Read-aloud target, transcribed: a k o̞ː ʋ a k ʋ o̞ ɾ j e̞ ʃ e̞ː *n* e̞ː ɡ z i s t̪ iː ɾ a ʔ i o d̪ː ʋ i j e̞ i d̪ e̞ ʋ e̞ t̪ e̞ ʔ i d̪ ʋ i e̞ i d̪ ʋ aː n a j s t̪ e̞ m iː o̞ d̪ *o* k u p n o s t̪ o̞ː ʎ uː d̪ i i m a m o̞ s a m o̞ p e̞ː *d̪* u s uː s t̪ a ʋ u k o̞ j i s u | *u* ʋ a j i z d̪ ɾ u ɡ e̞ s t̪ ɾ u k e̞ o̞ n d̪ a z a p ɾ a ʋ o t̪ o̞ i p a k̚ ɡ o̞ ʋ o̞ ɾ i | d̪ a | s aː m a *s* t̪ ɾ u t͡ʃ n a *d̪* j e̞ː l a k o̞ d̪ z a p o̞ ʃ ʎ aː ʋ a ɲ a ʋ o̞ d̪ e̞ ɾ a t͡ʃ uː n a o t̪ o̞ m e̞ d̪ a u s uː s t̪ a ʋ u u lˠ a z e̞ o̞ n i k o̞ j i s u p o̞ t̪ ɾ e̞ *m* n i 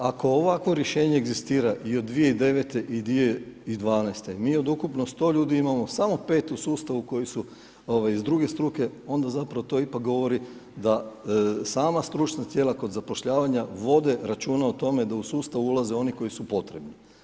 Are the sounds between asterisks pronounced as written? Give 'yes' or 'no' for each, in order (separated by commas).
no, no, no, no, yes, no, no